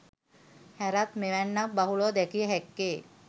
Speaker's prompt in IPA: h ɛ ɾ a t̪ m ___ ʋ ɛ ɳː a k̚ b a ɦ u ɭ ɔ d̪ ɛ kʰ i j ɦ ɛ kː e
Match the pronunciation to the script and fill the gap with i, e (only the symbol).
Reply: e